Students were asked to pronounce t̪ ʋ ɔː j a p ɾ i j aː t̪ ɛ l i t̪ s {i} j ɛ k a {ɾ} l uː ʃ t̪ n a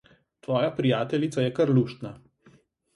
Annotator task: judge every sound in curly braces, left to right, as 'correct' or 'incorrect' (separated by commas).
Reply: incorrect, correct